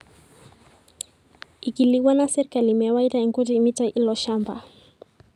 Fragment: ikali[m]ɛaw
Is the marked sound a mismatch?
no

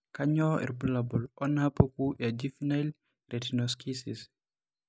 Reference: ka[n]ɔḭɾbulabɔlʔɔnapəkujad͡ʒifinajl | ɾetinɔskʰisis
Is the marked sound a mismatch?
yes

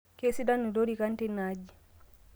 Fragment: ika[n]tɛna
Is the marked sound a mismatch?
no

